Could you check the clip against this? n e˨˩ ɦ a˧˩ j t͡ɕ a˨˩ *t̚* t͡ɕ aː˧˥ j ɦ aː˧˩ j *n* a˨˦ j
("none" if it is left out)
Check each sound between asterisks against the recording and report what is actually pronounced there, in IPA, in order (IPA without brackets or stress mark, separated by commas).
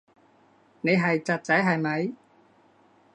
t̚, m